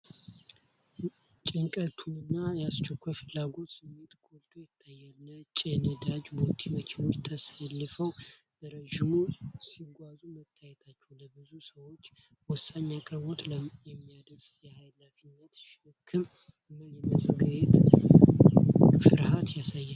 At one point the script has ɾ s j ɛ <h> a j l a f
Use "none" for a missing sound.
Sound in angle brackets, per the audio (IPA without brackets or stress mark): h